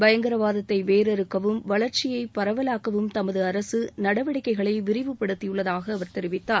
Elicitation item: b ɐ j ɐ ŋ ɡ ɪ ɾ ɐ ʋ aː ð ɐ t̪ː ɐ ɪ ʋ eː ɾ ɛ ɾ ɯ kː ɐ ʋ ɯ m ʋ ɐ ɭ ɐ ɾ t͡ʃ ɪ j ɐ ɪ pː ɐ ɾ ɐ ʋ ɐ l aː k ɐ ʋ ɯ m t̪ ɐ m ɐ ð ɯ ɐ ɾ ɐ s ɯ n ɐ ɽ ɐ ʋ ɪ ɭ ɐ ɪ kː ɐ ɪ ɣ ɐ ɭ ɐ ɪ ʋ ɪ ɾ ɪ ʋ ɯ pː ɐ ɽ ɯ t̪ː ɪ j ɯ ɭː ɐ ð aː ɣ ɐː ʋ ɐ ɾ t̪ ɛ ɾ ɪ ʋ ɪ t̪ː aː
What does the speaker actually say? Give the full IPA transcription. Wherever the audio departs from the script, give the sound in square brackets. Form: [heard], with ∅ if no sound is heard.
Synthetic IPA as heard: b ɐ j ɐ ŋ ɡ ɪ ɾ ɐ ʋ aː ð ɐ t̪ː ɐ ɪ ʋ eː ɾ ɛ ɾ ɯ kː ɐ ʋ ɯ m ʋ ɐ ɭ ɐ ɾ t͡ʃ ɪ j ɐ ɪ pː ɐ ɾ ɐ ʋ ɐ l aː k ɐ ʋ ɯ m t̪ ɐ m ɐ ð ɯ ɐ ɾ ɐ s ɯ n ɐ ɽ ɐ ʋ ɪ [ɽ] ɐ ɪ kː ɐ ɪ ɣ ɐ ɭ ɐ ɪ ʋ ɪ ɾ ɪ ʋ ɯ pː ɐ ɽ ɯ t̪ː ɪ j ɯ ɭː ɐ ð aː ɣ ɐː ʋ ɐ ɾ t̪ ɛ ɾ ɪ ʋ ɪ t̪ː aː